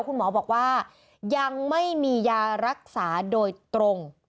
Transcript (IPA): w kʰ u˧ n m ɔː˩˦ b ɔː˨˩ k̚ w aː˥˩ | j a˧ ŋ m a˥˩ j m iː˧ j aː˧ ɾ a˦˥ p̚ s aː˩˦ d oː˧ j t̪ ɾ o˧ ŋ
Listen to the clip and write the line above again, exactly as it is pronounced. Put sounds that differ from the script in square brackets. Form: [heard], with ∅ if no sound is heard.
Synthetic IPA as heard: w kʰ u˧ n m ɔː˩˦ b ɔː˨˩ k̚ w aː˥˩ | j a˧ ŋ m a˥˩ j m iː˧ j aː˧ ɾ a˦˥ [k̚] s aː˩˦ d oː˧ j t̪ ɾ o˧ ŋ